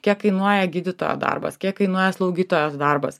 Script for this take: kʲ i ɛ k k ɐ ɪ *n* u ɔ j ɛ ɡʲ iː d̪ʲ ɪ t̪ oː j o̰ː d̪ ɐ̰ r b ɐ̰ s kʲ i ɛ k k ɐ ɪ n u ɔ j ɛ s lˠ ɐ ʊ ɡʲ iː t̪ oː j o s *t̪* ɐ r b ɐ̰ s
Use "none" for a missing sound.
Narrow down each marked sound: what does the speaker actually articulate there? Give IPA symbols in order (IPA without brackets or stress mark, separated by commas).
n, d̪